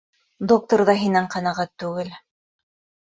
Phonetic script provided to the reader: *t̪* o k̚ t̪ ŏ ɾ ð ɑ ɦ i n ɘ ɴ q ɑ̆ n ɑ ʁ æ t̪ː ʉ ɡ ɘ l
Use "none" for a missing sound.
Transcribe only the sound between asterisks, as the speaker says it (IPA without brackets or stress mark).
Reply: d̪